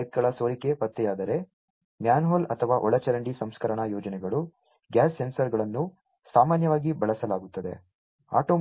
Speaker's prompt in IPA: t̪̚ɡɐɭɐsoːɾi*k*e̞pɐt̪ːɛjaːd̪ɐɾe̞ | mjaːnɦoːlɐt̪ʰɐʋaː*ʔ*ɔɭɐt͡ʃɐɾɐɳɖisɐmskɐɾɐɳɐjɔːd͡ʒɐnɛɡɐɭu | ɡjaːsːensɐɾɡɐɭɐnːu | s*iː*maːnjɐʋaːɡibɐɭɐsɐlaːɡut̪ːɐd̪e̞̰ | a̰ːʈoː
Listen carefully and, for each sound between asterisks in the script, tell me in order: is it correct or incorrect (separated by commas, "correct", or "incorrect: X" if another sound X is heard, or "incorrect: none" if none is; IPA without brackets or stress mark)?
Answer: correct, correct, incorrect: aː